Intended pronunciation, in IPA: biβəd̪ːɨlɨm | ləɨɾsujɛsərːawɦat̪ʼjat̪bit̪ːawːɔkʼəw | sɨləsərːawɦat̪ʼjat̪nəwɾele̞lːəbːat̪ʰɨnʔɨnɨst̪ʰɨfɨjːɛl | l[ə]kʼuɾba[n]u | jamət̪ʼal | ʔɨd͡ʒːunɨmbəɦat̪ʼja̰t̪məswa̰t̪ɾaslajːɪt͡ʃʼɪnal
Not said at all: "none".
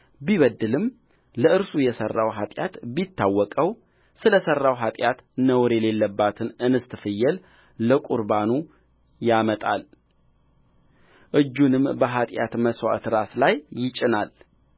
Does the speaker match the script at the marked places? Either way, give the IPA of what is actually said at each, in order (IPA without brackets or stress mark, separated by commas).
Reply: ə, n